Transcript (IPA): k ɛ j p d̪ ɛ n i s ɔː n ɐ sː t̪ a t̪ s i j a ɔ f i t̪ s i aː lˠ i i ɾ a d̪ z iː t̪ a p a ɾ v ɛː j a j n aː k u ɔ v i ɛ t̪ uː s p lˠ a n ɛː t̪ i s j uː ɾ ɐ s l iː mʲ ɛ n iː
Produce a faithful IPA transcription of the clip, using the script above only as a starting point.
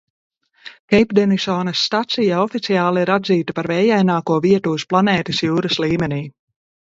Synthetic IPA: k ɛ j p d̪ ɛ n i s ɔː n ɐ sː t̪ a t̪ s i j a ɔ f i t̪ s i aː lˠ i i ɾ a d̪ z iː t̪ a p a ɾ v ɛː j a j n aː k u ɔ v i ɛ t̪ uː s p lˠ a n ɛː t̪ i s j uː ɾ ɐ s l iː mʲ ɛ n iː